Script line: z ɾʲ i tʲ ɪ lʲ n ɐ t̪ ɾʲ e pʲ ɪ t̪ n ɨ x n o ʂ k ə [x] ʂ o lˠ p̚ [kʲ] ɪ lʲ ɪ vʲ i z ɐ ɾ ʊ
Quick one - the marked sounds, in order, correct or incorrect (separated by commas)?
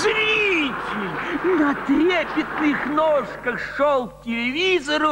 correct, incorrect